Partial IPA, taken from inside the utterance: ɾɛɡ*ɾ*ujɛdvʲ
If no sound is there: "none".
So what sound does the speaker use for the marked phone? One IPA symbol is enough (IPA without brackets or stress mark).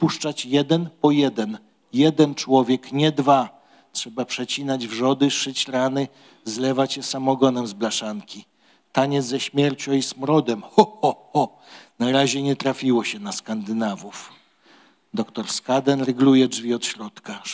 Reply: l